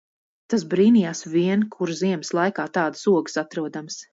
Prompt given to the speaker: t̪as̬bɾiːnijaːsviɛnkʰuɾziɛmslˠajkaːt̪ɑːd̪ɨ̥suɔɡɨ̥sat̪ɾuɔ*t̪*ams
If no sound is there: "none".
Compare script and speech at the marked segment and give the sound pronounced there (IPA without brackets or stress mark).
d̪